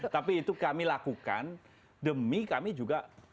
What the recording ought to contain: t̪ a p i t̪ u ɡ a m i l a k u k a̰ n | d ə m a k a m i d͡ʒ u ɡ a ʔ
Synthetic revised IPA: t̪ a p iː t̪ u k a m i l a k u k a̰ n | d ə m i k a m i d͡ʒ u ɡ a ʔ